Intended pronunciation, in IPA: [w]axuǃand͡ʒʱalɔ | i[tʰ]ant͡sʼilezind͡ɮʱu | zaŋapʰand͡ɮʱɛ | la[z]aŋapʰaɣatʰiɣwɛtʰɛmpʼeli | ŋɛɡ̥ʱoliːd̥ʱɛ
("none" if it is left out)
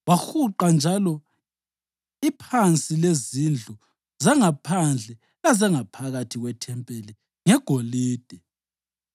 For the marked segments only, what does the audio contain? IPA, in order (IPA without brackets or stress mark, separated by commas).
w, pʰ, z